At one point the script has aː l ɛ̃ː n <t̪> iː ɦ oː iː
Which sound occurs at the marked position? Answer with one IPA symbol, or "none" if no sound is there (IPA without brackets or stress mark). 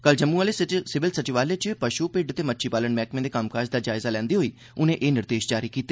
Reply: d̪